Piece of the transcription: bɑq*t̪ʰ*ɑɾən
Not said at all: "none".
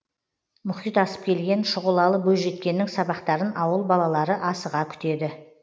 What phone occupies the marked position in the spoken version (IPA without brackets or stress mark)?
t̪